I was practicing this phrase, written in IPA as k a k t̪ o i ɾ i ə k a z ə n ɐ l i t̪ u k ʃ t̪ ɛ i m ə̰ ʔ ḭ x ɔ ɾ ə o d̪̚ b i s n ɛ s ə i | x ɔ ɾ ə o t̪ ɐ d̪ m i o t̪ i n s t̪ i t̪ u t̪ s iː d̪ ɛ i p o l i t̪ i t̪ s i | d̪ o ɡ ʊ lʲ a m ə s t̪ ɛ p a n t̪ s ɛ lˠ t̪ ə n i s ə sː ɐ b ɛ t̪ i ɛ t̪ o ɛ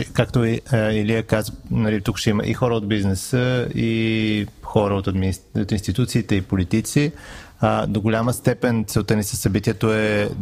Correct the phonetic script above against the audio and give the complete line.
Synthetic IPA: k a k t̪ o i l i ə k a z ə n ɐ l i t̪ u k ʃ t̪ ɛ i m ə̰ ʔ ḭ x ɔ ɾ ə o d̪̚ b i z n ɛ s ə i | x ɔ ɾ ə o t̪ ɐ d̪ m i o t̪ i n s t̪ i t̪ u t̪ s iː t̪ ɛ i p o l i t̪ i t̪ s i | d̪ o ɡ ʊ lʲ a m ə s t̪ ɛ p ɛ n t̪ s ɛ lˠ t̪ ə n i s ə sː ɐ b i t̪ i ɛ t̪ o ɛ